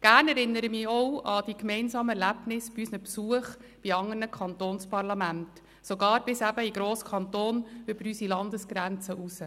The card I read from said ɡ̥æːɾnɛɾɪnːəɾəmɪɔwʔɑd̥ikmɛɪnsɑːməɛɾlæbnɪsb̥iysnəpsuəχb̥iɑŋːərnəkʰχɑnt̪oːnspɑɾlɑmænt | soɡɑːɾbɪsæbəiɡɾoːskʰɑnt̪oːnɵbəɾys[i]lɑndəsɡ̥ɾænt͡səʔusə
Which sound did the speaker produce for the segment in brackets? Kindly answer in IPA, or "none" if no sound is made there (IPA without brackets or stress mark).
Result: i